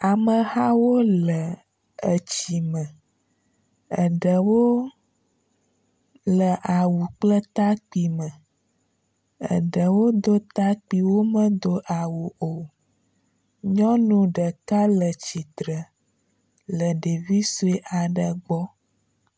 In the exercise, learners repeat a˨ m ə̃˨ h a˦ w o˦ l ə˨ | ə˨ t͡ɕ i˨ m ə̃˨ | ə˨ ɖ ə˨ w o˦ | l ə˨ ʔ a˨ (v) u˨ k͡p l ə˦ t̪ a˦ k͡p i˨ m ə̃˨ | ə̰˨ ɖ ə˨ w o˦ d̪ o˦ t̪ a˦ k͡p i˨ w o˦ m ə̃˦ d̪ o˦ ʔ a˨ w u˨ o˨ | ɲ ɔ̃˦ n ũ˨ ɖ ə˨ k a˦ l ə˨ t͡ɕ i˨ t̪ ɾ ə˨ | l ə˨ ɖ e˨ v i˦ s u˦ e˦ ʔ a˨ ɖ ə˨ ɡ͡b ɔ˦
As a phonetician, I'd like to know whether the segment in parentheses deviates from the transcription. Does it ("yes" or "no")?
yes